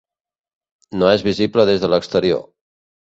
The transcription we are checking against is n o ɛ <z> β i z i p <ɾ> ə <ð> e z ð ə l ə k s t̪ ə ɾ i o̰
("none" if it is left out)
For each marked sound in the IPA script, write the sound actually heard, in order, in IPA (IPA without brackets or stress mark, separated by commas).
z, l, ð